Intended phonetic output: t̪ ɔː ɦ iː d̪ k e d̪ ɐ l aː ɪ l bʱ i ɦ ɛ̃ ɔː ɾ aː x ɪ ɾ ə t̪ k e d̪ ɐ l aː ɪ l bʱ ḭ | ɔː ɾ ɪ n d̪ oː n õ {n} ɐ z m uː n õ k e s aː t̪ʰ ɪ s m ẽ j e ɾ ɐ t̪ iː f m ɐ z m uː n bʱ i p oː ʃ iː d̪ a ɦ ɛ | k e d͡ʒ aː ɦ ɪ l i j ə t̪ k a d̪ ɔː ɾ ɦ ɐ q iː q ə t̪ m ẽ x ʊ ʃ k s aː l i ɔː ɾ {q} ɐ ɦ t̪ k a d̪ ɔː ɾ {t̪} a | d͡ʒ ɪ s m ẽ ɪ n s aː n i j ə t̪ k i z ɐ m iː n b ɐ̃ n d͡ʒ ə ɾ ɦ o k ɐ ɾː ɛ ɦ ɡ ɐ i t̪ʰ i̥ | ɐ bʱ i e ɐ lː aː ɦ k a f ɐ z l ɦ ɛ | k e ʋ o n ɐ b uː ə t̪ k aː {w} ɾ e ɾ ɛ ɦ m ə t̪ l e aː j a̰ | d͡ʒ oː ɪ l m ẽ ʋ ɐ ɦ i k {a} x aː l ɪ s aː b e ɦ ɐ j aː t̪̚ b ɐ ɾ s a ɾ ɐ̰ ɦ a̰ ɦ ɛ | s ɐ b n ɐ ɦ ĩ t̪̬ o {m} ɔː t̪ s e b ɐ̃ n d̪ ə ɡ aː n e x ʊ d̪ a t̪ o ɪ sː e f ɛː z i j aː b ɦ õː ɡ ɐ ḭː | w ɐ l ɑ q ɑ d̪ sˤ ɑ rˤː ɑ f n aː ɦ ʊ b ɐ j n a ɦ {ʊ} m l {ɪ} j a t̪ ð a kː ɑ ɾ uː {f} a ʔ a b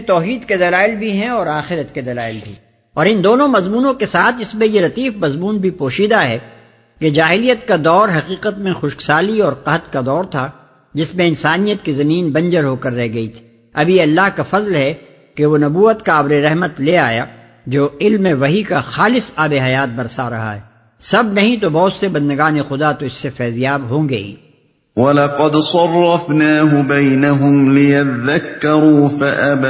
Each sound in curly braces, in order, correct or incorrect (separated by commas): incorrect, correct, incorrect, incorrect, correct, incorrect, correct, correct, correct